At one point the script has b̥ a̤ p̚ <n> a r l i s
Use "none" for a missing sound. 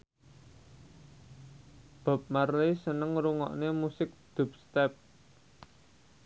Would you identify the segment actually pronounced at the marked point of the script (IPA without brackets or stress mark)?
m